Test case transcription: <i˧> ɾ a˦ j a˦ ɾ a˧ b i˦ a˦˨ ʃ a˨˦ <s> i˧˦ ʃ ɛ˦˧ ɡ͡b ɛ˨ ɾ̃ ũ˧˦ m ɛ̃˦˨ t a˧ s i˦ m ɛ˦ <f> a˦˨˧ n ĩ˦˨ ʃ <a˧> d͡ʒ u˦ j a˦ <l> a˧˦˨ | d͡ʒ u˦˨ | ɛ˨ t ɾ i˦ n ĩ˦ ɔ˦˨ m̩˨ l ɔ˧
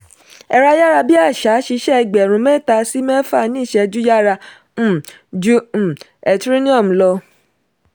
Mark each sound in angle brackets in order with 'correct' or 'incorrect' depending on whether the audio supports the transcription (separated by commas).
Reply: incorrect, incorrect, correct, incorrect, incorrect